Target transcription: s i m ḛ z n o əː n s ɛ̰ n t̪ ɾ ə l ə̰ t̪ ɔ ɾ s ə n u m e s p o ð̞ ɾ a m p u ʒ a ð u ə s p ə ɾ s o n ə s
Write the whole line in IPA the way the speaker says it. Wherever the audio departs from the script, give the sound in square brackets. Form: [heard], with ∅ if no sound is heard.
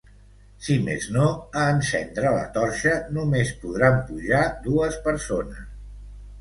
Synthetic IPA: s i m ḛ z n o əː n s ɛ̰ n [d̪] ɾ ə l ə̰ t̪ ɔ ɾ [ʃ] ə n u m e s p [u] ð̞ ɾ a m p u ʒ a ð u ə s p ə ɾ s o n ə s